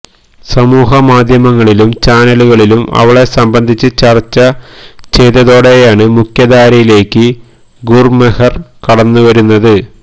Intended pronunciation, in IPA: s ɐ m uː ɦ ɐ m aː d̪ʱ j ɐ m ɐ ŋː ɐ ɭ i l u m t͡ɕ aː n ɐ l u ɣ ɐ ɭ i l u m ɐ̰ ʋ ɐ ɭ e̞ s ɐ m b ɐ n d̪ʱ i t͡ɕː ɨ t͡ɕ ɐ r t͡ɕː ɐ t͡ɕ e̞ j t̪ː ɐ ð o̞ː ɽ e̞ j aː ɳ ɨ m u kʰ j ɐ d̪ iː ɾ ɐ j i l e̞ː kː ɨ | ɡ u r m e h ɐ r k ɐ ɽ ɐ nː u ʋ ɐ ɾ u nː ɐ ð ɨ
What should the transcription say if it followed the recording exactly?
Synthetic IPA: s ɐ m uː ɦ ɐ m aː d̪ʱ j ɐ m ɐ ŋː ɐ ɭ i l u m t͡ɕ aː n ɐ l u ɣ ɐ ɭ i l u m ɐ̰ ʋ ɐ ɭ e̞ s ɐ m b ɐ n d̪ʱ i t͡ɕː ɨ t͡ɕ ɐ r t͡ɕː ɐ t͡ɕ e̞ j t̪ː ɐ ð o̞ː ɽ e̞ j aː ɳ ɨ m u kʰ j ɐ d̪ aː ɾ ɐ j i l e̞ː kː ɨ | ɡ u r m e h ɐ r k ɐ ɽ ɐ nː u ʋ ɐ ɾ u nː ɐ ð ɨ